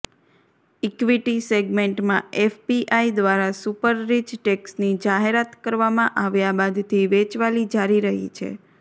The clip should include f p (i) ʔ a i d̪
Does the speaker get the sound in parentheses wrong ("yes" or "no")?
no